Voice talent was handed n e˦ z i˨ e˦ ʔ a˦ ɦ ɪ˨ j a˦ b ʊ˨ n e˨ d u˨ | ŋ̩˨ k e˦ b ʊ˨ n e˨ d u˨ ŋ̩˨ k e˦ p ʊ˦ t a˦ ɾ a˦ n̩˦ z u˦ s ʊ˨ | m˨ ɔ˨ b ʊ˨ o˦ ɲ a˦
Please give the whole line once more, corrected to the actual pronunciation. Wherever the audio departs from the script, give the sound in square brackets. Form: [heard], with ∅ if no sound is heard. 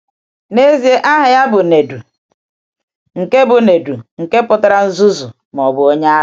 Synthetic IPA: n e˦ z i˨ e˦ ʔ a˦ ɦ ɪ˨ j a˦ b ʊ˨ n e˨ d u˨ | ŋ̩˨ k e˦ b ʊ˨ n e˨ d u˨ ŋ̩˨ k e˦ p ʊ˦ t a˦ ɾ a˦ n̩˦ z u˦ [z] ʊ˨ | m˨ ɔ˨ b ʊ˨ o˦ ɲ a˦

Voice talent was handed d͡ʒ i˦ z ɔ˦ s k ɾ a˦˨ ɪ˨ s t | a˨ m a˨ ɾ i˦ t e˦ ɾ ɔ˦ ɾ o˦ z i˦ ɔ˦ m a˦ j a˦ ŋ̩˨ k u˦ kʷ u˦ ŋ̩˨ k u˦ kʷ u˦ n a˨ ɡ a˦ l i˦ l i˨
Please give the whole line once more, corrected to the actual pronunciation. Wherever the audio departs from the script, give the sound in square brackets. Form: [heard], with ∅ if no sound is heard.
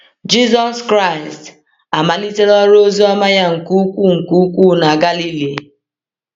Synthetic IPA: d͡ʒ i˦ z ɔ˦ s k ɾ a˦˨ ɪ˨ s t | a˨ m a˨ [l] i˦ t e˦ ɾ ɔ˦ ɾ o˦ z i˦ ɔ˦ m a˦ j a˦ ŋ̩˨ k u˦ kʷ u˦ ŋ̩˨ k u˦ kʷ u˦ n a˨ ɡ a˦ l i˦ l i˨

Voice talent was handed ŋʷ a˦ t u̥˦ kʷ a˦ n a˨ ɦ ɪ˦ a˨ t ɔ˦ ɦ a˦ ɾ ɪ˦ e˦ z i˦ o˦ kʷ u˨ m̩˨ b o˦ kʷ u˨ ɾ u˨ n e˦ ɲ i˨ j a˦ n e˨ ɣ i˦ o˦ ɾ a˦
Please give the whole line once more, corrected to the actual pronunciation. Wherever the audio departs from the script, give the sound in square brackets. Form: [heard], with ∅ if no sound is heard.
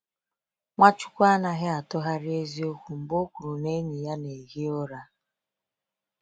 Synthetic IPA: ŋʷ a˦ [t͡ʃ] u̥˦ kʷ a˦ n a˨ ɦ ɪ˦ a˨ t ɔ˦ ɦ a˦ ɾ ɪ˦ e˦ z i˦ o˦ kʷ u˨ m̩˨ b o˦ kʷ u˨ ɾ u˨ n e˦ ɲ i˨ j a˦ n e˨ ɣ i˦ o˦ ɾ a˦

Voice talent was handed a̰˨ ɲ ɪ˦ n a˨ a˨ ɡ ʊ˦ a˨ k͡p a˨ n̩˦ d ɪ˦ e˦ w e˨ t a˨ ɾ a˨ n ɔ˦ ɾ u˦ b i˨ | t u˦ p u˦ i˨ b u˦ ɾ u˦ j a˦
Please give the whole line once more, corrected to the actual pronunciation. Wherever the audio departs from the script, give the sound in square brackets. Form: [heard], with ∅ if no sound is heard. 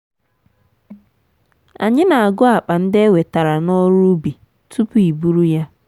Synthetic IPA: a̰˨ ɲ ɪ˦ n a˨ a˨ ɡ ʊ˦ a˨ k͡p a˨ n̩˦ d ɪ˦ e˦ w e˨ t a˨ ɾ a˨ n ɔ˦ ɾ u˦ b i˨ | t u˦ p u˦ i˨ b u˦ ɾ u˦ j a˦

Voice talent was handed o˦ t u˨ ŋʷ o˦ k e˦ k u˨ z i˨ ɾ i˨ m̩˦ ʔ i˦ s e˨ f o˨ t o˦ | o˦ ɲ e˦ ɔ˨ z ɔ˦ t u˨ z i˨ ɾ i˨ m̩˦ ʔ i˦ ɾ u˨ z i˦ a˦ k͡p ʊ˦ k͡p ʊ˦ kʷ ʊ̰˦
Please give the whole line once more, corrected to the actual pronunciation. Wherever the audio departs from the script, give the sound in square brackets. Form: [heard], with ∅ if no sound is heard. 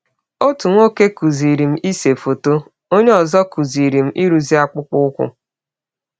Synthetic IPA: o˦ t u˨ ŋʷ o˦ k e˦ k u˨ z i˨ ɾ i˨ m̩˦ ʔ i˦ s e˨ f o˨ t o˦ | o˦ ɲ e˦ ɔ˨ z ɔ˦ [k] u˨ z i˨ ɾ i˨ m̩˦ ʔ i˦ ɾ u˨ z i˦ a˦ k͡p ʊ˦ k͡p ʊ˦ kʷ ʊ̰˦

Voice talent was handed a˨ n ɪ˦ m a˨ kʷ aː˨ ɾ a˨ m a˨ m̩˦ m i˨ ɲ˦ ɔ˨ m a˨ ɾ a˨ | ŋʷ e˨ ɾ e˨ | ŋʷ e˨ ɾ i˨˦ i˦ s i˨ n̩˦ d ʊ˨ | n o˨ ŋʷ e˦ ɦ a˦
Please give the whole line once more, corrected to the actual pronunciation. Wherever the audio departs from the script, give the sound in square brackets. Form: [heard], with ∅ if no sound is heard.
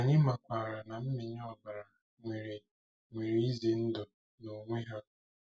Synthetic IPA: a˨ [ɲ] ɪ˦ m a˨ kʷ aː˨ ɾ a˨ [n] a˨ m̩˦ m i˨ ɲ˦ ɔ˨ [b] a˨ ɾ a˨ | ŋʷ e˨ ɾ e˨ | ŋʷ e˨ ɾ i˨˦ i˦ [z] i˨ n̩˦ d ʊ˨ | n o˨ ŋʷ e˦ ɦ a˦

